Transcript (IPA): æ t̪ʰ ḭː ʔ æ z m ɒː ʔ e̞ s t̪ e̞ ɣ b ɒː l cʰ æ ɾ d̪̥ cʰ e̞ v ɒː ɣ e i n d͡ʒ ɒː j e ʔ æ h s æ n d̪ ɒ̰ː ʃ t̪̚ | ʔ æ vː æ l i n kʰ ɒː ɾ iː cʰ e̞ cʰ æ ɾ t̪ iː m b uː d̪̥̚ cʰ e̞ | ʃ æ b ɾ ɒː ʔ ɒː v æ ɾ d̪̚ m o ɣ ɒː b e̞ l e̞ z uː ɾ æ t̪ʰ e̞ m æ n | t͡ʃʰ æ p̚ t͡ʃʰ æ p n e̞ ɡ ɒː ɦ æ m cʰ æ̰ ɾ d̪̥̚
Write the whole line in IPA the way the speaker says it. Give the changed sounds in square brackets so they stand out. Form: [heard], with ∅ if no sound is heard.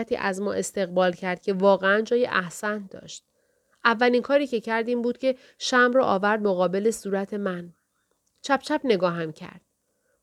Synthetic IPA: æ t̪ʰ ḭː ʔ æ z m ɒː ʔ e̞ s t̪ e̞ ɣ b ɒː l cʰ æ ɾ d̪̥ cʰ e̞ v ɒː ɣ e [æ] n d͡ʒ ɒː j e ʔ æ h s æ n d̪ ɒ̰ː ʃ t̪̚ | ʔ æ vː æ l i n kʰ ɒː ɾ iː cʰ e̞ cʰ æ ɾ [d̪] iː m b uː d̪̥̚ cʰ e̞ | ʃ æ [m] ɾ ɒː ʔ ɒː v æ ɾ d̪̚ m o ɣ ɒː b e̞ l e̞ [s] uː ɾ æ t̪ʰ e̞ m æ n | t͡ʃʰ æ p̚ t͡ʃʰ æ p n e̞ ɡ ɒː ɦ æ m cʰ æ̰ ɾ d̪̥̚